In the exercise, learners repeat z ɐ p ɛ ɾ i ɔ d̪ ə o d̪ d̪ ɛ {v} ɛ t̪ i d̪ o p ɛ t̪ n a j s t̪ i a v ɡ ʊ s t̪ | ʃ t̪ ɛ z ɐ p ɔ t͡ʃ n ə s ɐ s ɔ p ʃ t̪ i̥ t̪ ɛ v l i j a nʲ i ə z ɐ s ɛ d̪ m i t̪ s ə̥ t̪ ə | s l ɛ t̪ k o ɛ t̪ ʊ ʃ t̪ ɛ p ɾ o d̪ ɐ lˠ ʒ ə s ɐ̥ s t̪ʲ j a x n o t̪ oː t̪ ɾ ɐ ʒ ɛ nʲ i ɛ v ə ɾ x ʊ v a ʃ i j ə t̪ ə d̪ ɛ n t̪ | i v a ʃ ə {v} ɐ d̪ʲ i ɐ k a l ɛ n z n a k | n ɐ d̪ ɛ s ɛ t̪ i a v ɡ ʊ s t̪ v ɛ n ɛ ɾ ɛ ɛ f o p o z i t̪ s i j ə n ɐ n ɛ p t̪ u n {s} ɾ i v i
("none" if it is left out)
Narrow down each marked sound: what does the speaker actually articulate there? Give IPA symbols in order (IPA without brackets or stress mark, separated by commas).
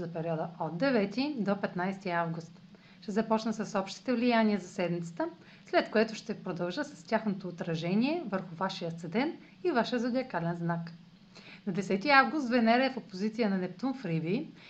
v, z, f